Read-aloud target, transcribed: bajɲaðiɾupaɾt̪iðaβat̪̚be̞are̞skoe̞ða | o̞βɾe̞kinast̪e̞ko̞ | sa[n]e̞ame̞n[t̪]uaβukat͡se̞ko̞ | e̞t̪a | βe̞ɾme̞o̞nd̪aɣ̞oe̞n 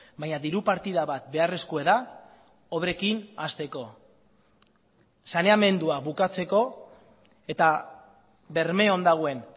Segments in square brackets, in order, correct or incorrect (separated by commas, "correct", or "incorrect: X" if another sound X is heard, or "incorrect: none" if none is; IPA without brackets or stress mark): correct, incorrect: d̪